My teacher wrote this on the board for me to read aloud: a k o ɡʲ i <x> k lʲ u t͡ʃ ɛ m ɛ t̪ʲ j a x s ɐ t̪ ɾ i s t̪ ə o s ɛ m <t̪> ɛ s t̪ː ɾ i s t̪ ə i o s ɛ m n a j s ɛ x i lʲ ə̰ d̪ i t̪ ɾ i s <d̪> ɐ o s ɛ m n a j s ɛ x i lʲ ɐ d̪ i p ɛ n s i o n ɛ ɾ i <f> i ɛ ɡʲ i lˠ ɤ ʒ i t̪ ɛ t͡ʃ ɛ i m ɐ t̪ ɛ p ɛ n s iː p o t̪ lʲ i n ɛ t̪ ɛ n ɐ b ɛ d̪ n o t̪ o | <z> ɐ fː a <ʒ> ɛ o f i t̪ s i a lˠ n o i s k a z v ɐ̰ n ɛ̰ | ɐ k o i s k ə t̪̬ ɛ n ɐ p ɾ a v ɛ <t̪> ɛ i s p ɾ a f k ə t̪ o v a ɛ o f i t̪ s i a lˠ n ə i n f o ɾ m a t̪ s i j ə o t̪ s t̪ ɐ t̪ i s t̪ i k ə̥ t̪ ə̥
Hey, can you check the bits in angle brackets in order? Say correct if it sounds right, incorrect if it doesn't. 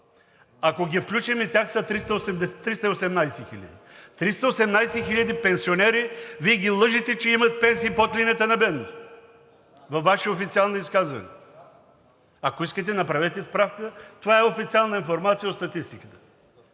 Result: incorrect: f, incorrect: d̪, incorrect: t̪, incorrect: v, incorrect: v, incorrect: ʃ, correct

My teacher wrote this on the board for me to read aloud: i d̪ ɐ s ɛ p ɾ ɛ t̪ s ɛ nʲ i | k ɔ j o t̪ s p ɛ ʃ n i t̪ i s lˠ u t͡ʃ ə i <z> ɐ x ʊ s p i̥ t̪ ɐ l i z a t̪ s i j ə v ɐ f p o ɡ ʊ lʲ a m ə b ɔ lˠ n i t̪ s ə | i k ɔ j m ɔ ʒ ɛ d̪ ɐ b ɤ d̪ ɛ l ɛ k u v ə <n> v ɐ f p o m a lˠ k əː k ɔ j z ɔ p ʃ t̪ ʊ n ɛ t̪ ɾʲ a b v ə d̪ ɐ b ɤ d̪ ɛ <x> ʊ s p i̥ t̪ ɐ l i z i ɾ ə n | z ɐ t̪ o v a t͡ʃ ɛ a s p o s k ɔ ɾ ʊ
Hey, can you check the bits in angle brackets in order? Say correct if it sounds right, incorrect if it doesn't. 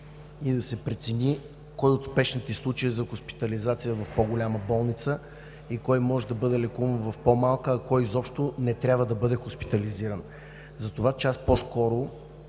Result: correct, correct, correct

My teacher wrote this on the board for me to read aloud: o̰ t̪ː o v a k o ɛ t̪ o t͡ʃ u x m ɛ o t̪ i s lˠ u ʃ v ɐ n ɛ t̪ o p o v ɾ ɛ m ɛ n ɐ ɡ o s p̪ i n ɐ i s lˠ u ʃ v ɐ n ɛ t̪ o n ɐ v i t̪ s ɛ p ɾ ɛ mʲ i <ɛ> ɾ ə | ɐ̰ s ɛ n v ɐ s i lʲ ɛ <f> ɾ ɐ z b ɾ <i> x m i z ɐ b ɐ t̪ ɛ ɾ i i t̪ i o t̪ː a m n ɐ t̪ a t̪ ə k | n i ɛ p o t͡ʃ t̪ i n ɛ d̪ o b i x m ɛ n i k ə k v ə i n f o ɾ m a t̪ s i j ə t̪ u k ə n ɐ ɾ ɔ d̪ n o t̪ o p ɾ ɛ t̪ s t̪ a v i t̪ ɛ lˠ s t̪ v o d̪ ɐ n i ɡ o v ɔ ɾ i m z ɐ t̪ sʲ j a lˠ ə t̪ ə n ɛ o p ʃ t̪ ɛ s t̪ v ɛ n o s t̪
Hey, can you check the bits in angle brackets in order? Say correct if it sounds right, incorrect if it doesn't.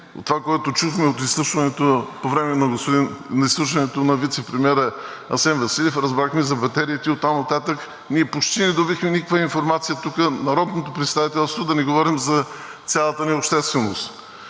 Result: correct, correct, incorrect: a

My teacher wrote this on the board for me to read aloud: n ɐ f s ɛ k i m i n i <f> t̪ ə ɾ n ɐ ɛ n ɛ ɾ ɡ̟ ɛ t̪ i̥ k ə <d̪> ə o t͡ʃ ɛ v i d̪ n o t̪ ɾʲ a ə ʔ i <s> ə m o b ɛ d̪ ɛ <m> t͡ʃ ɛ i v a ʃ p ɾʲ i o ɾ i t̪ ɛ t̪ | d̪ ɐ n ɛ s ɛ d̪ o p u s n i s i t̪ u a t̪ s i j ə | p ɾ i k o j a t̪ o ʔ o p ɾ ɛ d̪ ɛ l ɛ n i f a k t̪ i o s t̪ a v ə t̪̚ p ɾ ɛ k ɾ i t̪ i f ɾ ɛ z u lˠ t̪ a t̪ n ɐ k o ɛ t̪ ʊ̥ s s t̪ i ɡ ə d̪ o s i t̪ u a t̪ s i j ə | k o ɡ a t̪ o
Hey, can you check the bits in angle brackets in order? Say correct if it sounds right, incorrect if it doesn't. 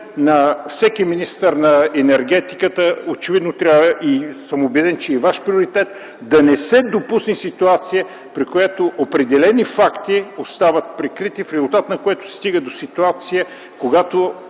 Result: incorrect: s, incorrect: t̪, correct, incorrect: n

